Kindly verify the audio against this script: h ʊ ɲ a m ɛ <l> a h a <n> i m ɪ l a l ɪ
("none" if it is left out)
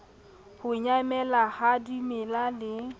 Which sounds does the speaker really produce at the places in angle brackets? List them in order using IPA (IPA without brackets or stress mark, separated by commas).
l, d